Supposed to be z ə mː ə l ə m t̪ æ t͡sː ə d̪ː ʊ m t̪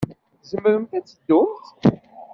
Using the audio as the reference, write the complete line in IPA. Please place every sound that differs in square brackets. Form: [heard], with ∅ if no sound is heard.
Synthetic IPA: z ə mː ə [ɾ] ə m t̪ æ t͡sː ə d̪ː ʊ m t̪

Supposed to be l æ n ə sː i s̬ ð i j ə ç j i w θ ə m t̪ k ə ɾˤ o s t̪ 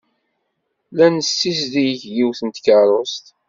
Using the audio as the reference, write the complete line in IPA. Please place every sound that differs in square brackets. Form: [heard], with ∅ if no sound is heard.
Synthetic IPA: l æ n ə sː i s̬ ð i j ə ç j i w θ ə [n] t̪ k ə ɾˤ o s t̪

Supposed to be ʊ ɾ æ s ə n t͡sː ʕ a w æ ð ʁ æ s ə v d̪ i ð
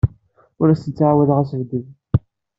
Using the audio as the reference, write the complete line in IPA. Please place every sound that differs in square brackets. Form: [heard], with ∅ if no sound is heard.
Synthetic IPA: ʊ ɾ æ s ə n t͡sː ʕ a w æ ð ʁ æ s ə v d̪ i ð

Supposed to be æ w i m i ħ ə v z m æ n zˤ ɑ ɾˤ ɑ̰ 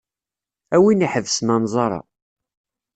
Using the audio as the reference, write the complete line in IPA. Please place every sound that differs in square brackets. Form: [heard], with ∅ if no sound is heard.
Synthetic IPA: æ w i [n] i ħ ə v [s] m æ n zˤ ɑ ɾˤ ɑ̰

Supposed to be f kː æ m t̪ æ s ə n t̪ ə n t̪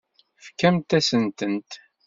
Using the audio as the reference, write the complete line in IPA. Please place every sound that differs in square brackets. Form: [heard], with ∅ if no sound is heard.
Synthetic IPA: f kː æ m t̪ æ s ə n t̪ ə n t̪

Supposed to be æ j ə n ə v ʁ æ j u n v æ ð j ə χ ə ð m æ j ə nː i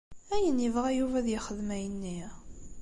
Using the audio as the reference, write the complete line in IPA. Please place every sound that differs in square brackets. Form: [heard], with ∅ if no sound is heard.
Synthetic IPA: æ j ə n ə v ʁ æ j u [∅] v æ ð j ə χ ə ð m æ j ə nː i

